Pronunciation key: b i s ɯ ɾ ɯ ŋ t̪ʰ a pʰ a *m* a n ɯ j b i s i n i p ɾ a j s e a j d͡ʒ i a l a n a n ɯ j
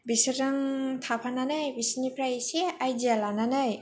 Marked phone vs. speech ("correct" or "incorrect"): incorrect